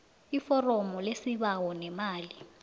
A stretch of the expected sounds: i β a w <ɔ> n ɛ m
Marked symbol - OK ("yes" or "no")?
yes